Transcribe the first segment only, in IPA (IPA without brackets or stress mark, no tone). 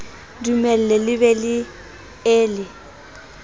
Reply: d